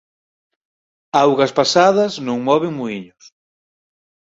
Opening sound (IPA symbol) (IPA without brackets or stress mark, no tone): a